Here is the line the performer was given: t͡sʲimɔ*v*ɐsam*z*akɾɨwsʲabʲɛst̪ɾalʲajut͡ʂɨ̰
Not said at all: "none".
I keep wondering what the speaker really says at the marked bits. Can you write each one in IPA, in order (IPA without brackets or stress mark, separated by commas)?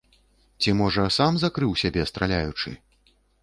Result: ʐ, z